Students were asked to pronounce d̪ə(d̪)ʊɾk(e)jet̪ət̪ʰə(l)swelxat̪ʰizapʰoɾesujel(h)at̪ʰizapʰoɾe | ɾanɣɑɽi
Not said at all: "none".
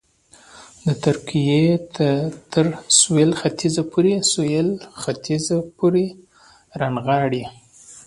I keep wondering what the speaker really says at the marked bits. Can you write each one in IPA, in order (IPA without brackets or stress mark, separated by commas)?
t̪, i, ɾ, x